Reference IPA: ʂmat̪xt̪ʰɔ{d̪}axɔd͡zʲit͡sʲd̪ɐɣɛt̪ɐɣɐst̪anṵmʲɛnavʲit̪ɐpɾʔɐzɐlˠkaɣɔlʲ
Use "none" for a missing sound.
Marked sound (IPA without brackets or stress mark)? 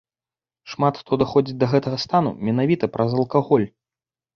d̪